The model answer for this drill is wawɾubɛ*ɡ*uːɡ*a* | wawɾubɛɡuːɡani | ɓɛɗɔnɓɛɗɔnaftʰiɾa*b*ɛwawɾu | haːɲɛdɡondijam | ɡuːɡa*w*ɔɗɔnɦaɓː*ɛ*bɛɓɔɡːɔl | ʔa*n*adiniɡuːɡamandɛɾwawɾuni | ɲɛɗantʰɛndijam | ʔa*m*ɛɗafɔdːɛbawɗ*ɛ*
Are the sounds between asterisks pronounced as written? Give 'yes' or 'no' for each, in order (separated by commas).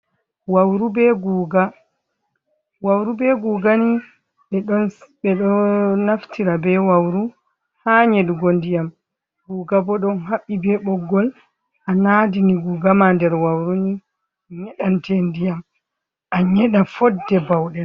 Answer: yes, yes, yes, no, no, yes, no, yes